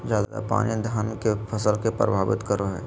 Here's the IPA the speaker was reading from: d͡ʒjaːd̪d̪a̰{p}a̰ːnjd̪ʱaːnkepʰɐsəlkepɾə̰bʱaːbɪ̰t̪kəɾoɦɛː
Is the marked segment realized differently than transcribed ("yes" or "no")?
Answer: no